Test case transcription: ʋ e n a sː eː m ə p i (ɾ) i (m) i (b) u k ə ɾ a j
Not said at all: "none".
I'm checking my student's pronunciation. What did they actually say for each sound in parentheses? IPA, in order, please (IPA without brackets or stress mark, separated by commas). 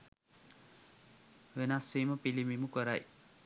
l, m, m